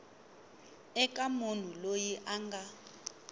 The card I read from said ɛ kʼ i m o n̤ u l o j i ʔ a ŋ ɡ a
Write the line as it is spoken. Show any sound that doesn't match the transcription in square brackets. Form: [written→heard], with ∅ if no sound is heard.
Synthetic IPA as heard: ɛ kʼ [i→a] m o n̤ u l o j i ʔ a ŋ ɡ a